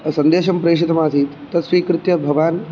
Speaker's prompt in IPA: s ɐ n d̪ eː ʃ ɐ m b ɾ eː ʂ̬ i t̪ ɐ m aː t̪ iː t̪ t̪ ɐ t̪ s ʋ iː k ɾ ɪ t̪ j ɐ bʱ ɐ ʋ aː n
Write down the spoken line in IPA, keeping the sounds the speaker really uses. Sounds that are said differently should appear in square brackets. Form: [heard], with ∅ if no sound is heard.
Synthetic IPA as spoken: s ɐ n d̪ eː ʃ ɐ m [p] ɾ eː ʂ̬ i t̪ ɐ m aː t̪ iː t̪ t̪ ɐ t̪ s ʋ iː k ɾ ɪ t̪ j ɐ bʱ ɐ ʋ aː n

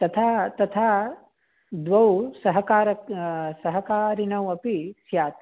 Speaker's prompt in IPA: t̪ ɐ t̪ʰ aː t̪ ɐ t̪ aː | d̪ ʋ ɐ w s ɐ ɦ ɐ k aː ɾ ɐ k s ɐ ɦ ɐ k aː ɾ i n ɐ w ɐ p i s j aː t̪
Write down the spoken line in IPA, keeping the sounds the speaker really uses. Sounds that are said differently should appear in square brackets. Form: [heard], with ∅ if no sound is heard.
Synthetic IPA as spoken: t̪ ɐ t̪ʰ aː t̪ ɐ [t̪ʰ] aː | d̪ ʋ ɐ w s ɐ ɦ ɐ k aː ɾ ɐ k s ɐ ɦ ɐ k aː ɾ i n ɐ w ɐ p i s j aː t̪

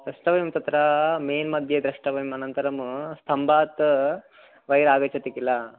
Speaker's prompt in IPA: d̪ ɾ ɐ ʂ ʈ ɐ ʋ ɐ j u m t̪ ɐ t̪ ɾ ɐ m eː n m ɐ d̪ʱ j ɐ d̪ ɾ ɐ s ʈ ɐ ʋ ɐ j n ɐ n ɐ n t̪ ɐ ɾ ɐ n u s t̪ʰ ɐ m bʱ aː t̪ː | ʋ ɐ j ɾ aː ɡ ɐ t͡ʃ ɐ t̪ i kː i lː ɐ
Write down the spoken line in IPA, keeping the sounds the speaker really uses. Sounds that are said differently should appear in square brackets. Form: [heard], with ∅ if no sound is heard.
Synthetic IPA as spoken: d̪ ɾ ɐ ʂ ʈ ɐ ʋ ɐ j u m t̪ ɐ t̪ ɾ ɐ m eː n m ɐ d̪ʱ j ɐ d̪ ɾ ɐ [ʂ] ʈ ɐ ʋ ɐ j [m] ɐ n ɐ n t̪ ɐ ɾ ɐ [m] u s t̪ʰ ɐ m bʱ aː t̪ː | ʋ ɐ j ɾ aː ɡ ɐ t͡ʃ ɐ t̪ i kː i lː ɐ

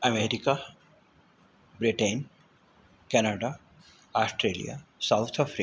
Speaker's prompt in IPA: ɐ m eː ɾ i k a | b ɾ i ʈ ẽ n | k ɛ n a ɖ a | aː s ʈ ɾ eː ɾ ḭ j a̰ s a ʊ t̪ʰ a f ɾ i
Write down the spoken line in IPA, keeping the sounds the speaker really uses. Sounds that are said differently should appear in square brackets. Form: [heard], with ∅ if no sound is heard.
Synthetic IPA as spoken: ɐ m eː ɾ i k a | b ɾ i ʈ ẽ n | k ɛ n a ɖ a | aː s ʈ ɾ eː [l] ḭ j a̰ s a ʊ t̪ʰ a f ɾ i

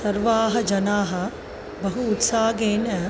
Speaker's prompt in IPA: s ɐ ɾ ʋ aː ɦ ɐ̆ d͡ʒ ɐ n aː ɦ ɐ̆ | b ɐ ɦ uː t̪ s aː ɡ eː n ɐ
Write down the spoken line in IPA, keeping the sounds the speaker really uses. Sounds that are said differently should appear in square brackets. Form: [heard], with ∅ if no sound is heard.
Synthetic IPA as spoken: s ɐ ɾ ʋ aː ɦ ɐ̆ d͡ʒ ɐ n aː ɦ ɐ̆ | b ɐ ɦ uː t̪ s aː ɡ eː n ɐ

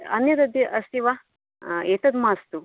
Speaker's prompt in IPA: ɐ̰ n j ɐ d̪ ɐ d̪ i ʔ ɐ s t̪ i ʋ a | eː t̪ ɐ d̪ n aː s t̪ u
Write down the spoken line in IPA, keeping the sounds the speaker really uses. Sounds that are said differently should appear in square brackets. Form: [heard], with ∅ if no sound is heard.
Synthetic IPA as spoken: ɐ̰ n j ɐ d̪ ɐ d̪ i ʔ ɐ s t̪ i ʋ a | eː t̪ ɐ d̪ [m] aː s t̪ u

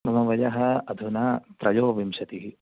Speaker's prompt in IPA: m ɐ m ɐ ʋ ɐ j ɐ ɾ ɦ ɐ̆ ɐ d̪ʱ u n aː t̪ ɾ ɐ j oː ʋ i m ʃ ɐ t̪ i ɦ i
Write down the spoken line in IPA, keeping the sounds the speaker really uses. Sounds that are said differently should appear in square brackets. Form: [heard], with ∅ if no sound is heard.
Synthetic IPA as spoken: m ɐ m ɐ ʋ ɐ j ɐ [∅] ɦ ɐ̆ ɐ d̪ʱ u n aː t̪ ɾ ɐ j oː ʋ i m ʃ ɐ t̪ i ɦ i

